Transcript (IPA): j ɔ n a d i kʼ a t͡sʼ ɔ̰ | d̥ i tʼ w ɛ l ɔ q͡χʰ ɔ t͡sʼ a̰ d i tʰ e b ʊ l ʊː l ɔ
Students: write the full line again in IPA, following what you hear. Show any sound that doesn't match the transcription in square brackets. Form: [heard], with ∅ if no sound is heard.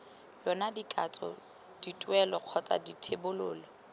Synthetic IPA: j ɔ n a d i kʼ a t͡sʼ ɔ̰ | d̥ i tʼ w ɛ l ɔ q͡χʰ ɔ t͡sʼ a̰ d i tʰ e b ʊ l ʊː l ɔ